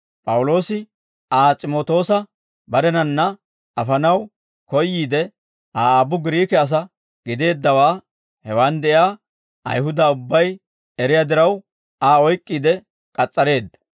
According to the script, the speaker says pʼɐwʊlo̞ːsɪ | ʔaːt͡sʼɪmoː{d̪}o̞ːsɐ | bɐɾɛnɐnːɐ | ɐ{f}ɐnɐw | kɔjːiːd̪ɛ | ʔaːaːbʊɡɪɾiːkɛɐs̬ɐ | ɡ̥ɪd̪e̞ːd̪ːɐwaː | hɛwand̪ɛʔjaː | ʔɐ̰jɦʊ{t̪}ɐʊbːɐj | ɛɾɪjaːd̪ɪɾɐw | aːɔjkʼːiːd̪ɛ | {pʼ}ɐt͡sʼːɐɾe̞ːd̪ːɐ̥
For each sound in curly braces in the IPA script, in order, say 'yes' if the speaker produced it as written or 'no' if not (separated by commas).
no, yes, no, no